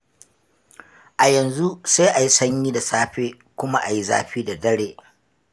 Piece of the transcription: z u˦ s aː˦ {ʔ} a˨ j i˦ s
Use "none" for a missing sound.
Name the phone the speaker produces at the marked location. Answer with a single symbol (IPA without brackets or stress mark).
ʔ